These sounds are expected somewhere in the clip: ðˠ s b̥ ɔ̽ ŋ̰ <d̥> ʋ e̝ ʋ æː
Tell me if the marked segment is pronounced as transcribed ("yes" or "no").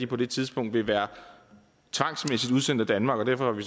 yes